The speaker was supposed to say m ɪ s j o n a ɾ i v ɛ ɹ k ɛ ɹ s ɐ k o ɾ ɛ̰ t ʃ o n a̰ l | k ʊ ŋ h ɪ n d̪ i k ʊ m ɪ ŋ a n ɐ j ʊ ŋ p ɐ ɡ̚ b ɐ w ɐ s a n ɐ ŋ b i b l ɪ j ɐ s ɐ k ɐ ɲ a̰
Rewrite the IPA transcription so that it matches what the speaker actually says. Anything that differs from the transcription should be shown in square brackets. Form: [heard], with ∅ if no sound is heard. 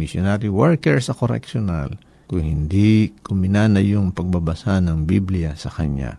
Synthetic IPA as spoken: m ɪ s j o n a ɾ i [w] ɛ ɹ k ɛ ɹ s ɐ k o ɾ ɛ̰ [k] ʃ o n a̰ l | k ʊ ŋ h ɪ n d̪ i k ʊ m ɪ [n] a n ɐ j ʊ ŋ p ɐ ɡ̚ b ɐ [b] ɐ s a n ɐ ŋ b i b l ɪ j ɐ s ɐ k ɐ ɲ a̰